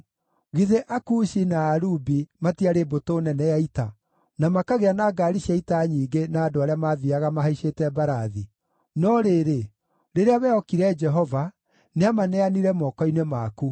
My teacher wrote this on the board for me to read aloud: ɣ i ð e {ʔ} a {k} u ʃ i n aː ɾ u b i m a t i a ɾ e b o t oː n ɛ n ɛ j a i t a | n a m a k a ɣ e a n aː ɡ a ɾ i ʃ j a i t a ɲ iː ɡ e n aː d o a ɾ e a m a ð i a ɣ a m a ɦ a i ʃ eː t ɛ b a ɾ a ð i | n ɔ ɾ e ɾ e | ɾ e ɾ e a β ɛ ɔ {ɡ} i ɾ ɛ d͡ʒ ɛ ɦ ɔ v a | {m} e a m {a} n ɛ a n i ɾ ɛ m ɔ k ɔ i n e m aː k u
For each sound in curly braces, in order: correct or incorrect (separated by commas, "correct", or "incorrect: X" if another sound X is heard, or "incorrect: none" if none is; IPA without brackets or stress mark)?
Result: correct, correct, incorrect: k, incorrect: n, correct